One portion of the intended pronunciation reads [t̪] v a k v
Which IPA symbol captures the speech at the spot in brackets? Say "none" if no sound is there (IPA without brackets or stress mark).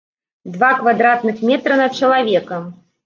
d̪